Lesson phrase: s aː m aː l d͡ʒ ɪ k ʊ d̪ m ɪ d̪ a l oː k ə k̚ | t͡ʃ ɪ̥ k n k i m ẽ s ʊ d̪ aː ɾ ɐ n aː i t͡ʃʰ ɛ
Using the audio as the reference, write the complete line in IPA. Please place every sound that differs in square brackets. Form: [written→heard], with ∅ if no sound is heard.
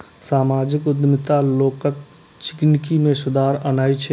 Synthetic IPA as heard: s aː m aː [l→∅] d͡ʒ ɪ k ʊ d̪ m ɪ [d̪→t̪] a l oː k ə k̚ | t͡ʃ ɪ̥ k n k i m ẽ s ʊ d̪ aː ɾ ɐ n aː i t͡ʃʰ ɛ